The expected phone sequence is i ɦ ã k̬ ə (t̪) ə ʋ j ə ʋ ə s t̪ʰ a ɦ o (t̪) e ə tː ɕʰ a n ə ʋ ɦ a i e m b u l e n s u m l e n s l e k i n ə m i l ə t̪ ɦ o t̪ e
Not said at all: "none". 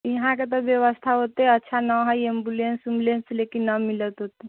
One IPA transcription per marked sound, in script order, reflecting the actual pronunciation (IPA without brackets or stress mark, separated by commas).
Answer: t̪, t̪